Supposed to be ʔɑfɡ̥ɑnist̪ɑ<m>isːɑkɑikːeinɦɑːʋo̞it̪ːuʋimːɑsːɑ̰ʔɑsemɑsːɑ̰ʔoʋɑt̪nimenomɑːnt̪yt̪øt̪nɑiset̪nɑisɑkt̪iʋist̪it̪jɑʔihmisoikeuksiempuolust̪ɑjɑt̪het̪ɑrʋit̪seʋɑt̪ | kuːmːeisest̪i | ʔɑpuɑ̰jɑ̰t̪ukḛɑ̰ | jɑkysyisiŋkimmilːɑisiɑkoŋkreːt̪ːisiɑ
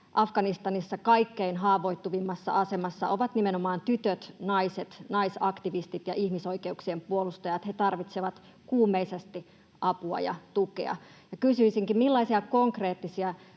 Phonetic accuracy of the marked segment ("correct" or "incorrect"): incorrect